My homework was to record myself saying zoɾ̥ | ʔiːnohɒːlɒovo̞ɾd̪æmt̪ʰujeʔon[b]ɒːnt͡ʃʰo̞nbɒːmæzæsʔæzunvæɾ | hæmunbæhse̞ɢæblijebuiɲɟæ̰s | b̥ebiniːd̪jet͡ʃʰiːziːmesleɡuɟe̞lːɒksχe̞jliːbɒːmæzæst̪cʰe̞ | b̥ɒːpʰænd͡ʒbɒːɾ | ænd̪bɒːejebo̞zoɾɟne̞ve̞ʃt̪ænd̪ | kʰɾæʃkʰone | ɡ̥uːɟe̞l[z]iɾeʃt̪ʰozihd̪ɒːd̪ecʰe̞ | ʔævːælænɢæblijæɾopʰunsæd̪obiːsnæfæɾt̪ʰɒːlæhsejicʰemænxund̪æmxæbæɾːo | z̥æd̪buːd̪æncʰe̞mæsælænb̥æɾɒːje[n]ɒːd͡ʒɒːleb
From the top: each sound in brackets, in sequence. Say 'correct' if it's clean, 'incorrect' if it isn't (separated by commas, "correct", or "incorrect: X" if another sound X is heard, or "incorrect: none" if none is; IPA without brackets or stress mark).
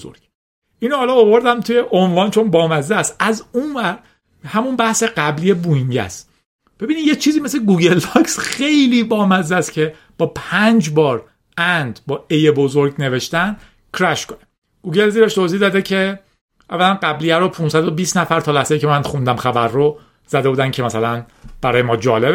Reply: incorrect: v, correct, incorrect: m